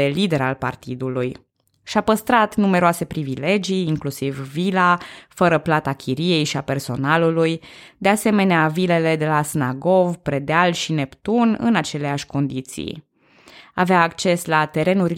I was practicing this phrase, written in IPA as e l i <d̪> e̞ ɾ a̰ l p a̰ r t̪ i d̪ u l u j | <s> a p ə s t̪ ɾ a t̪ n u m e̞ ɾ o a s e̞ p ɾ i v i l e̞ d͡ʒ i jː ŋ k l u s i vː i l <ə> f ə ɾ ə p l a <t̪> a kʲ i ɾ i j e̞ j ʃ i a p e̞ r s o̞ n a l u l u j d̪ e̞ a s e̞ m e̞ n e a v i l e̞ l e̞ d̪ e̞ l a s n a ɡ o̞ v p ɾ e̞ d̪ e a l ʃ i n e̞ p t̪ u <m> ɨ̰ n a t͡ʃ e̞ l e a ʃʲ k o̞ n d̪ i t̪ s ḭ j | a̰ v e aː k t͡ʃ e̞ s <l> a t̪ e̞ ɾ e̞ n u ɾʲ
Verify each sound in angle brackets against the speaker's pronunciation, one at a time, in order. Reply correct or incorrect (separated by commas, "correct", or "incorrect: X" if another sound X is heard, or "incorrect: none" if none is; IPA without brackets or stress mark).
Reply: correct, incorrect: ʃ, incorrect: a, correct, incorrect: n, correct